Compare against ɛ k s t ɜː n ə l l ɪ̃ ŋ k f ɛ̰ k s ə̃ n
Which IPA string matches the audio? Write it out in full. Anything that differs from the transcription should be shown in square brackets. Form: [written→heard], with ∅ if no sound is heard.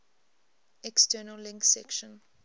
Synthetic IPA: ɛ k s t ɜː n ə l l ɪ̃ ŋ k [f→s] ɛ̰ k [s→ʃ] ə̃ n